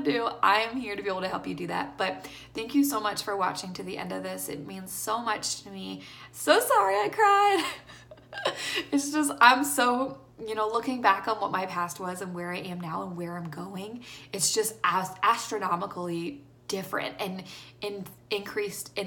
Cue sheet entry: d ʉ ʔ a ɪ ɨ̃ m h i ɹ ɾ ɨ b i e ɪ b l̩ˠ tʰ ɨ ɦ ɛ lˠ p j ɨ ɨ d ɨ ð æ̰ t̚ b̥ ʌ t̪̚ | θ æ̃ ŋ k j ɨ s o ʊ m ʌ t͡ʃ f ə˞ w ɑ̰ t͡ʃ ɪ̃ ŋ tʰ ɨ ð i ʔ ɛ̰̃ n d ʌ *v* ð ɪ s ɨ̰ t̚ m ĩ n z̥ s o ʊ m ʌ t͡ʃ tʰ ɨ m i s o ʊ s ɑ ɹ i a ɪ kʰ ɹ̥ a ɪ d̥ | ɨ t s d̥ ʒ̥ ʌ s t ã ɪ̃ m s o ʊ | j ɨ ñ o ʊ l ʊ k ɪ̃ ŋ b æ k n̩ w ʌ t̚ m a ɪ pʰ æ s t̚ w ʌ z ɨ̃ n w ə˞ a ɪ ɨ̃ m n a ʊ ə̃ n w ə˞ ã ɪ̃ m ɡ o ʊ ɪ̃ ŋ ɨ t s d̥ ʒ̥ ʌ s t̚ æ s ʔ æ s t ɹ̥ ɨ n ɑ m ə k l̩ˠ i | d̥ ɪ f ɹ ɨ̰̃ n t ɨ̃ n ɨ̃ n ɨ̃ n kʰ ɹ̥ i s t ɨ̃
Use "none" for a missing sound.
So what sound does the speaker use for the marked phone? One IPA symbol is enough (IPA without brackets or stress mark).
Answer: v